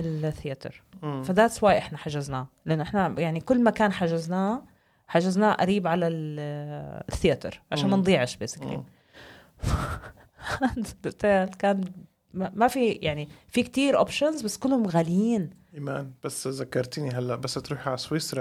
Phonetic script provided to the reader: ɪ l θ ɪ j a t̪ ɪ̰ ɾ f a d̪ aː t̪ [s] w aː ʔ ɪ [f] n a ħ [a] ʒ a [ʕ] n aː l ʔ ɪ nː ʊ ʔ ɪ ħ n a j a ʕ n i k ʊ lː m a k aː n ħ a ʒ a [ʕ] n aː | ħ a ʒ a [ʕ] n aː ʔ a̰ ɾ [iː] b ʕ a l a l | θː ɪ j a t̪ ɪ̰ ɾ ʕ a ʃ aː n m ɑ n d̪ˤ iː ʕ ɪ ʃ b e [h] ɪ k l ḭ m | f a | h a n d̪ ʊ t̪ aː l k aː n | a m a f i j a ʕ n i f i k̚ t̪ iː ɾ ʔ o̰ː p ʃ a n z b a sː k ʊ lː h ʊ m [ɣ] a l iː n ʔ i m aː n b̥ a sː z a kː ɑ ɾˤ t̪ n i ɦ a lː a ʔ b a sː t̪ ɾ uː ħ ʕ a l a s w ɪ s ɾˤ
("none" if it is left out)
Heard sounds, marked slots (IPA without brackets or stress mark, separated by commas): s, ħ, a, z, z, z, iː, s, ɣ